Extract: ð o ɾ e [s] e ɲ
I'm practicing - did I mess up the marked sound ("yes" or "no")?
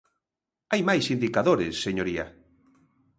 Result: yes